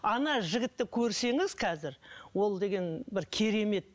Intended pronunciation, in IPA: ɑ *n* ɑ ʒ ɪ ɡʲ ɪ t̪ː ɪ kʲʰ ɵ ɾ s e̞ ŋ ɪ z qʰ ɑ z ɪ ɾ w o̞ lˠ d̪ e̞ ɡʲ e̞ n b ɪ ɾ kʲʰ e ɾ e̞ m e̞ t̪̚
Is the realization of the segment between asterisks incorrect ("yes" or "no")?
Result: no